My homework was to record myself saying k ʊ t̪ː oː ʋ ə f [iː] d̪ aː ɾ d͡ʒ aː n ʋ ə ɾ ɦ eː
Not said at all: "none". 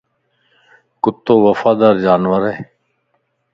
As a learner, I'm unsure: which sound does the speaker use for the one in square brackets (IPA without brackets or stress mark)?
aː